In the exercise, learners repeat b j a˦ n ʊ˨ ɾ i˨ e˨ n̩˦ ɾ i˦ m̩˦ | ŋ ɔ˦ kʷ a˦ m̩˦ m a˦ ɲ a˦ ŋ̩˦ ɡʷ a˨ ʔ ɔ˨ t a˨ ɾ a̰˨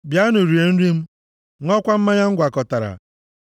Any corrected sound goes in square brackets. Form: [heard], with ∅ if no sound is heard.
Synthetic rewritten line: b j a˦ n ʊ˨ ɾ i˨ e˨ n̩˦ ɾ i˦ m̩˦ | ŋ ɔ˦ kʷ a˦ m̩˦ m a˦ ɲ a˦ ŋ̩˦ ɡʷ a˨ [k] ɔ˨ t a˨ ɾ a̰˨

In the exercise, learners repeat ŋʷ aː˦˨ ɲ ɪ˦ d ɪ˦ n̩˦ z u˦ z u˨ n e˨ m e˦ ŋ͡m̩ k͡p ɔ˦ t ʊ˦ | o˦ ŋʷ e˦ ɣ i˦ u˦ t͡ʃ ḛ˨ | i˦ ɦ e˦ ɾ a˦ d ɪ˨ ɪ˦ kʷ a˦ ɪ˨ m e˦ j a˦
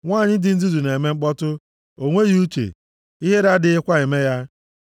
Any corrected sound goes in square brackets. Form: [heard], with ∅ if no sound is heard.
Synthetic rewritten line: ŋʷ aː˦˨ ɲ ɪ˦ d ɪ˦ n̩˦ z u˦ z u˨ n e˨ m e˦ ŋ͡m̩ k͡p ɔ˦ t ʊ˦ | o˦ ŋʷ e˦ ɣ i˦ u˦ t͡ʃ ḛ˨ | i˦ ɦ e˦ ɾ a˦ d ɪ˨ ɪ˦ kʷ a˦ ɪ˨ m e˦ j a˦

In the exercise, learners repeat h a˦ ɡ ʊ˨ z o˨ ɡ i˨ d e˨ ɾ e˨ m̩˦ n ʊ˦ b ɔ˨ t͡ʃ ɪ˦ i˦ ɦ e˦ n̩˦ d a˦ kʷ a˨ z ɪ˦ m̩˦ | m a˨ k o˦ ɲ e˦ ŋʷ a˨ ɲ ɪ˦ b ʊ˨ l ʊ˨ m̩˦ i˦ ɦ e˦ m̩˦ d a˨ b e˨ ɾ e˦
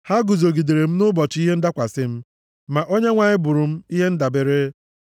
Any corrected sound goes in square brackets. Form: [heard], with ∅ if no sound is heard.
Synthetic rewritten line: h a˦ ɡ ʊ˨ z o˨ ɡ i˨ d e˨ ɾ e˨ m̩˦ n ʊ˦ b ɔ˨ t͡ʃ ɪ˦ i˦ ɦ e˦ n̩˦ d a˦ kʷ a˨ [s] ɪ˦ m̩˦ | m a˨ [ʔ] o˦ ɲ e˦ ŋʷ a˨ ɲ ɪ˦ b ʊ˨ [ɾ] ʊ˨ m̩˦ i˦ ɦ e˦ [n̩˦] d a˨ b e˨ ɾ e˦

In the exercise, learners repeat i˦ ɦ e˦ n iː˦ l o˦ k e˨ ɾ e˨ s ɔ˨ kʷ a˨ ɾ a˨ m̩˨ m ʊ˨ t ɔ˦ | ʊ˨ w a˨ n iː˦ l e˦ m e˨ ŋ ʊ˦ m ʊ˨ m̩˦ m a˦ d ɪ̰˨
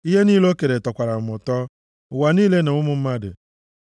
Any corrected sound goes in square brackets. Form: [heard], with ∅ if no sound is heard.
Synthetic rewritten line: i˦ ɦ e˦ n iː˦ l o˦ k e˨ ɾ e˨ [t] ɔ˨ kʷ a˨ ɾ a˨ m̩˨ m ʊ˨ t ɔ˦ | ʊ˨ w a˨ n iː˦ l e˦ [n] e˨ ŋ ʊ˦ m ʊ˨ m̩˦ m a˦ d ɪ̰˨

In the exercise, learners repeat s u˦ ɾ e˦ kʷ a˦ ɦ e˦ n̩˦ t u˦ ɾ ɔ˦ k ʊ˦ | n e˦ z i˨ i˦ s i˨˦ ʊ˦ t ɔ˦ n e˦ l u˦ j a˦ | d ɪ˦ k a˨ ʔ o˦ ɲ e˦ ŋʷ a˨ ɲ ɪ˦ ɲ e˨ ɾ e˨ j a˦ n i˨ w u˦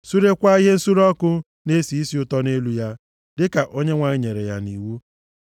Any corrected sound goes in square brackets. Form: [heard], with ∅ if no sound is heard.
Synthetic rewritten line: s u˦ ɾ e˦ kʷ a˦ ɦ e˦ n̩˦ [s] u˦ ɾ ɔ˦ k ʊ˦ | n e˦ [s] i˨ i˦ s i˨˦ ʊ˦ t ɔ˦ n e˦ l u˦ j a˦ | d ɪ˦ k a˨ ʔ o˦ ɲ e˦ ŋʷ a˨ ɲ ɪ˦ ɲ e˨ ɾ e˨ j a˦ n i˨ w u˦

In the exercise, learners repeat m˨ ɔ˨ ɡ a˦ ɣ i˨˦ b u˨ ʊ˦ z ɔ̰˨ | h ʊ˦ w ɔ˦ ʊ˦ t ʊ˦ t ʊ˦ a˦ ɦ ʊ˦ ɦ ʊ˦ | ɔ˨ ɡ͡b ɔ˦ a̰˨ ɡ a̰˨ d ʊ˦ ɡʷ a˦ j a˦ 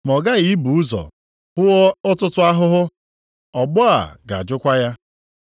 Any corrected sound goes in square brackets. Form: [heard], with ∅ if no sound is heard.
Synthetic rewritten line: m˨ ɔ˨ ɡ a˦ ɣ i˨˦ b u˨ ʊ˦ z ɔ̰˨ | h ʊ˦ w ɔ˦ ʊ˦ t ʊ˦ t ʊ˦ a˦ ɦ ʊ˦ ɦ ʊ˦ | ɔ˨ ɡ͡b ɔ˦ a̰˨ ɡ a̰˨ [d͡ʒ] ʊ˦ [kʷ] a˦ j a˦

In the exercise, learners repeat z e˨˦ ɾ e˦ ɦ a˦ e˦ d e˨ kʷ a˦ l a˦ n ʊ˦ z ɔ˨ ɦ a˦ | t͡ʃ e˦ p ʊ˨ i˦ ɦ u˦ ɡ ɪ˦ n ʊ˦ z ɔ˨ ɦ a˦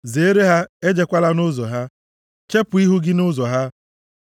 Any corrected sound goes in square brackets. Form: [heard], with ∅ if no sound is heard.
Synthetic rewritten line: z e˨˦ ɾ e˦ ɦ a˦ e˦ [d͡ʒ] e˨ kʷ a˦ l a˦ n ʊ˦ z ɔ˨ ɦ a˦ | t͡ʃ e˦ p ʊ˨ i˦ ɦ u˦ ɡ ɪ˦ n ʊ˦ z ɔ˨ ɦ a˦

